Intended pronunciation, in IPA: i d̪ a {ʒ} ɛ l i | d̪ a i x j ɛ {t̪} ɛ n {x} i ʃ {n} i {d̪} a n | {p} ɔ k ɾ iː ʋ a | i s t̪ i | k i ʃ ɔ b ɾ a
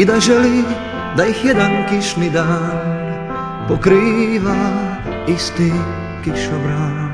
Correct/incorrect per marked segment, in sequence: correct, incorrect: d̪, incorrect: k, correct, correct, correct

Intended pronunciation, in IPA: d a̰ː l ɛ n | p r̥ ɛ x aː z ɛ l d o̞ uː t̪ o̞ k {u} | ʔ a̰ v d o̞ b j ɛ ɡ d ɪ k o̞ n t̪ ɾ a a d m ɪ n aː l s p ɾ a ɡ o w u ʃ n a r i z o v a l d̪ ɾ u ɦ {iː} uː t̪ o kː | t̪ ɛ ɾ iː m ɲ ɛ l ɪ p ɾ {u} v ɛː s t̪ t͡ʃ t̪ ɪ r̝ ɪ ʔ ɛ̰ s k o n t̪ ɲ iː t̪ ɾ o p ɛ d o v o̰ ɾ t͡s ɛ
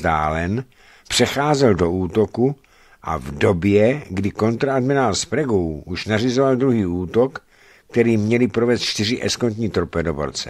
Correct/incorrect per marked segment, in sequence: correct, correct, incorrect: o

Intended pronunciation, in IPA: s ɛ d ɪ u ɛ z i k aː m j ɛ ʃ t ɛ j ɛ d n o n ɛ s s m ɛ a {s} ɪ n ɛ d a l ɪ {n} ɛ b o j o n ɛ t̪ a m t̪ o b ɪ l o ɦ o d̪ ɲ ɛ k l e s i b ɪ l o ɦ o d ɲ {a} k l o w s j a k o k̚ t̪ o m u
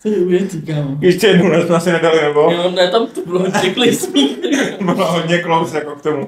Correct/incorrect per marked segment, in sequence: correct, correct, incorrect: ɛ

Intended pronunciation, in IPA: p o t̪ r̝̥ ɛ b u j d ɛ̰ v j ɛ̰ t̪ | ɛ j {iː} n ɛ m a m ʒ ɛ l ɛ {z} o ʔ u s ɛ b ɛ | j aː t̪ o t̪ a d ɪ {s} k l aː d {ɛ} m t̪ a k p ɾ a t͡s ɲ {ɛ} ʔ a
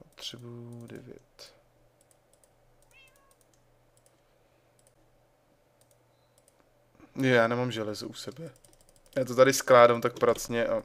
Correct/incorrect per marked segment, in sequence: incorrect: aː, correct, correct, incorrect: a, correct

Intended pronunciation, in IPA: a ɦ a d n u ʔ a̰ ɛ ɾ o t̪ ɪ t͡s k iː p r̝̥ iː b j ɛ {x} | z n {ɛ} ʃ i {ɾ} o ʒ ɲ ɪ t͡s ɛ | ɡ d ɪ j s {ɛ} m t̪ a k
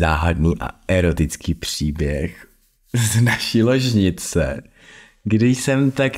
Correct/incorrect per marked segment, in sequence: correct, incorrect: a, incorrect: l, correct

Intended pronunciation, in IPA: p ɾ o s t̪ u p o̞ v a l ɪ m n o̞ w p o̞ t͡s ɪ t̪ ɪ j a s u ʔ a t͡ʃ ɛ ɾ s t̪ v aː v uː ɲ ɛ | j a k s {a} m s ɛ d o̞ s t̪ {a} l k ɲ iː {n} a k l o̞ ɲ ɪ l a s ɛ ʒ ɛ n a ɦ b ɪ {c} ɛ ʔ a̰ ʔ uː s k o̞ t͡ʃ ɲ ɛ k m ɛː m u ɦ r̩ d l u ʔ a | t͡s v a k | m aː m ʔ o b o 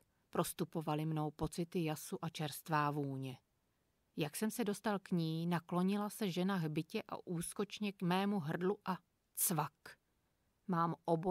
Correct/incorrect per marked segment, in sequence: incorrect: ɛ, correct, correct, correct

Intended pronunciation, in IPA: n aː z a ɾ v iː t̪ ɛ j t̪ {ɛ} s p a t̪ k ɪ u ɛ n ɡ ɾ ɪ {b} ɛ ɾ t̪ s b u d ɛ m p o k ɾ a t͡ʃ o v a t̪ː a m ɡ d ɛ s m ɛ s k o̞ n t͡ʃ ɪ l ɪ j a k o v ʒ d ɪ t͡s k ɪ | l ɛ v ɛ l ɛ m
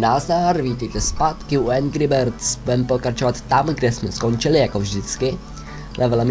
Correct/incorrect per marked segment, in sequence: correct, correct

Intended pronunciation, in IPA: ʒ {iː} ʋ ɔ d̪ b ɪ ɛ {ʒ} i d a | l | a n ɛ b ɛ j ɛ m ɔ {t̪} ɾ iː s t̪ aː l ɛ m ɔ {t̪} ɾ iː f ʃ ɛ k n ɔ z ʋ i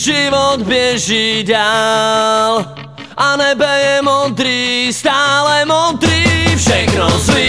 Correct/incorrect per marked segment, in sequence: incorrect: i, correct, incorrect: d̪, incorrect: d̪

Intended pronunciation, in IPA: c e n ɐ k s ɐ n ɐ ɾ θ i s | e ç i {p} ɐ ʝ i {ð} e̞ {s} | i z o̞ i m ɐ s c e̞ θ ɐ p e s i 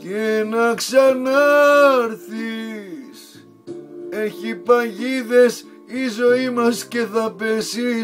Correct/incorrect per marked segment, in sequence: correct, correct, correct

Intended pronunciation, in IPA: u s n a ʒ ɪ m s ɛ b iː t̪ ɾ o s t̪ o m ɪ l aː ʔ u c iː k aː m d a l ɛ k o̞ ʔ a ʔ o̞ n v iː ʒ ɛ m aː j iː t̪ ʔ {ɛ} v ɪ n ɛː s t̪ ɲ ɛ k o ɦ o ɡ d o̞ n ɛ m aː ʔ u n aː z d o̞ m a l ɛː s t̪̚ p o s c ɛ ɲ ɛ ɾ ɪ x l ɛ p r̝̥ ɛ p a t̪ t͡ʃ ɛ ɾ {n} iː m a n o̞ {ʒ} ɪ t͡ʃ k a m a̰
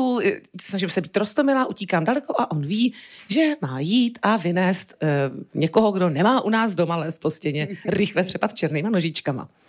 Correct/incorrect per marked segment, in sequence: incorrect: a, correct, correct

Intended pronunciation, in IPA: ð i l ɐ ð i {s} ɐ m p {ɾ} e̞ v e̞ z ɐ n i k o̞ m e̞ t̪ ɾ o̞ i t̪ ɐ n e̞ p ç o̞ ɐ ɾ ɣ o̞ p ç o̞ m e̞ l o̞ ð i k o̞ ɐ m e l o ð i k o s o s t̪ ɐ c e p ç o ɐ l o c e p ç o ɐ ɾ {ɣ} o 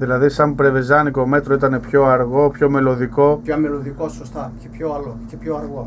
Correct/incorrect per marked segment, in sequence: correct, correct, correct

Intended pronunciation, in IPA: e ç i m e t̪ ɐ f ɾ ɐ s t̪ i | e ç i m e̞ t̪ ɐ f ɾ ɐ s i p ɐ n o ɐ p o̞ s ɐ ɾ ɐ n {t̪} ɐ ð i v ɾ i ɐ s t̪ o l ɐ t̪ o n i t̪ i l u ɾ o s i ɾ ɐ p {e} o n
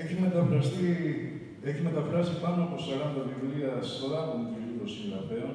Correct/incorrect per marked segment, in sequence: incorrect: d̪, correct

